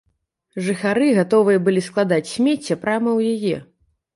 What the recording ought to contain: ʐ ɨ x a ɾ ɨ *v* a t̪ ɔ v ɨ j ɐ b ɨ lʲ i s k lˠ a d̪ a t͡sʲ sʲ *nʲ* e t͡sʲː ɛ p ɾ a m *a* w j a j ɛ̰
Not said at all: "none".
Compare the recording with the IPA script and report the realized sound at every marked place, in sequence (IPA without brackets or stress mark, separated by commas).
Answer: ɣ, mʲ, ɐ